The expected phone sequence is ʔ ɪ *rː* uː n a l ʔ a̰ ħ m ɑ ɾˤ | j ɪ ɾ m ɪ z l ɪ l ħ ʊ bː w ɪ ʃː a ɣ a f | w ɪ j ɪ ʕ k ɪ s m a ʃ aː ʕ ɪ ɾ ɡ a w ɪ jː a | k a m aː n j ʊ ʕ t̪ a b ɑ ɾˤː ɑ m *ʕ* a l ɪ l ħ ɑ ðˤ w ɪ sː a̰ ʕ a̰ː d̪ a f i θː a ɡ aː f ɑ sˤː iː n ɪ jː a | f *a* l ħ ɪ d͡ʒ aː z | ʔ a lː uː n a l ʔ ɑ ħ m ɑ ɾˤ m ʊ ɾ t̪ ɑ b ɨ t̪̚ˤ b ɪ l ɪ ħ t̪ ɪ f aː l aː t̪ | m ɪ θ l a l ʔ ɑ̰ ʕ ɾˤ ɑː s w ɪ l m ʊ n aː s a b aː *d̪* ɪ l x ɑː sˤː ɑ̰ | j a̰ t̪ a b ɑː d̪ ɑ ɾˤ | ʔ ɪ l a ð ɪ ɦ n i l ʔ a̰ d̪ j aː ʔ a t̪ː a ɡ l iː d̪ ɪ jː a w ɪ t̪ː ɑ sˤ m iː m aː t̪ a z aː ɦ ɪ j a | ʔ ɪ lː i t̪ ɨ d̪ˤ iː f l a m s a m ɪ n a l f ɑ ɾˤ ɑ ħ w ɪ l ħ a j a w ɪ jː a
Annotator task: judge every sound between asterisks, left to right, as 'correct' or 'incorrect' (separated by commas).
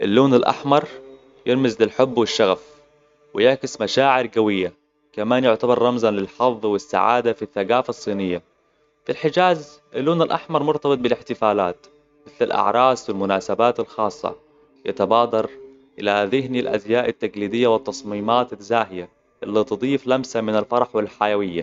incorrect, incorrect, incorrect, incorrect